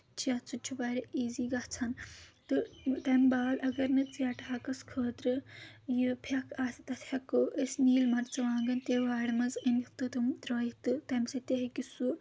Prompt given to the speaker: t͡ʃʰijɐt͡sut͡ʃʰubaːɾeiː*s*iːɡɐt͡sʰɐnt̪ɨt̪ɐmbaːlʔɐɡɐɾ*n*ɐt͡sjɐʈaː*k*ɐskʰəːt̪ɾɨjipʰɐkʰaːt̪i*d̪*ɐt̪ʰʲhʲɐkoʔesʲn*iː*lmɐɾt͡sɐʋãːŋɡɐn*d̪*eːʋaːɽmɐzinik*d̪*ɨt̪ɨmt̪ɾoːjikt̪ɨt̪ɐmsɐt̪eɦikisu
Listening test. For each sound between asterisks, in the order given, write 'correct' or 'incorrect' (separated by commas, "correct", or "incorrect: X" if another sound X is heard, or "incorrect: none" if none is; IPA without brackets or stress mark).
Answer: incorrect: z, correct, correct, incorrect: t̪, correct, incorrect: t̪, incorrect: t̪